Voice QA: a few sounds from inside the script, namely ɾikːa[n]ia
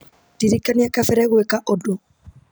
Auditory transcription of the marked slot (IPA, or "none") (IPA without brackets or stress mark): n